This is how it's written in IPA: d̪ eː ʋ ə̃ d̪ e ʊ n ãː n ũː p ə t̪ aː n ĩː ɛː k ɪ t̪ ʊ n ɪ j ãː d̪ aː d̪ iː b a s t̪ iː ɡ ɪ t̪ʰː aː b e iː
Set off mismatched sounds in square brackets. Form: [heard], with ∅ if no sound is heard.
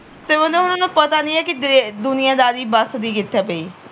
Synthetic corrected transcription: [t̪] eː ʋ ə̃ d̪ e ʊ n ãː n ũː p ə t̪ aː n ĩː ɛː k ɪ [d̪] ʊ n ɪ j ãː d̪ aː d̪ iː b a s [d̪] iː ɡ ɪ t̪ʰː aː [p] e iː